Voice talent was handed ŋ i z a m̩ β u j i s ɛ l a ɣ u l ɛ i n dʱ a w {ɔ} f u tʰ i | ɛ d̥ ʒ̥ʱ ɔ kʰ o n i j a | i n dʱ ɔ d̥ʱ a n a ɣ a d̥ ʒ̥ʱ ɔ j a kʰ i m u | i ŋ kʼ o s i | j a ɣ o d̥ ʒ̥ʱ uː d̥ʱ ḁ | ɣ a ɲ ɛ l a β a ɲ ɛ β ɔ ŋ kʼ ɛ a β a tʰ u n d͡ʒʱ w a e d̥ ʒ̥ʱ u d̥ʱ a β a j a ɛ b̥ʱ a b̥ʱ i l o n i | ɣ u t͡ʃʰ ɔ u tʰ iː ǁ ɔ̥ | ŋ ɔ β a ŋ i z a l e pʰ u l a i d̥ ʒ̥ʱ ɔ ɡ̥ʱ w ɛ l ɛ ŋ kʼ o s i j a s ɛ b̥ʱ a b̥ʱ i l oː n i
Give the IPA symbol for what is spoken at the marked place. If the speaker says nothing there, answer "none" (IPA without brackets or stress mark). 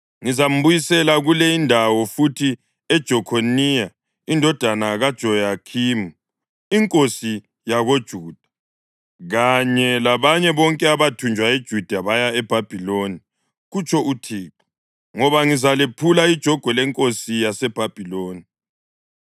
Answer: ɔ